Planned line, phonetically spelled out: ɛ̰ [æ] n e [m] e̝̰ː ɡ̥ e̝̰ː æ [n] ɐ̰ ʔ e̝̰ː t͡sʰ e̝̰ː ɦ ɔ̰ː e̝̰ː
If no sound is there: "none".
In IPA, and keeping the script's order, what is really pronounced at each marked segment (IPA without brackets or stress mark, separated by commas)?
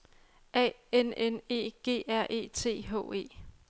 e, n, none